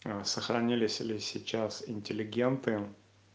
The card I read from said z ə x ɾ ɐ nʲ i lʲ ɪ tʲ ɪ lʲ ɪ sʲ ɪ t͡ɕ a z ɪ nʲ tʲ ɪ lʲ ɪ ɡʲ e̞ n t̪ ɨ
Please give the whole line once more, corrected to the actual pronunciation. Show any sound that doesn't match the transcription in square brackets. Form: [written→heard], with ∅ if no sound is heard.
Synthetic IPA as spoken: [z→s] ə x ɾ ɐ nʲ i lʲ ɪ [tʲ→sʲ] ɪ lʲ ɪ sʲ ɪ t͡ɕ a [z→s] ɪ nʲ tʲ ɪ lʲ ɪ ɡʲ e̞ n t̪ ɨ